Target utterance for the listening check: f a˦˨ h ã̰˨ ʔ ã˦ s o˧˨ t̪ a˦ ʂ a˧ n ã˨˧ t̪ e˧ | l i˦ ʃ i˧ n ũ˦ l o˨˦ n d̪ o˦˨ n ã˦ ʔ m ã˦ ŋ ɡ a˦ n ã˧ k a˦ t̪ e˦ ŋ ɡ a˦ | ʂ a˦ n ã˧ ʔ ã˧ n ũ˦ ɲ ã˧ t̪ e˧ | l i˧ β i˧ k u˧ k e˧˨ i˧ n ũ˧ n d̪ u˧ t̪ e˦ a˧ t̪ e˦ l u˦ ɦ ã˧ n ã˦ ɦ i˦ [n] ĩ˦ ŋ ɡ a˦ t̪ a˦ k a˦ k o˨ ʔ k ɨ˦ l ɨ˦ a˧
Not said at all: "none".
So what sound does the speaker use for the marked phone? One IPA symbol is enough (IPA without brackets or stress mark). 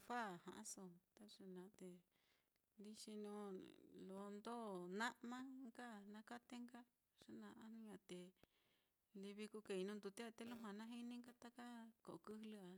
n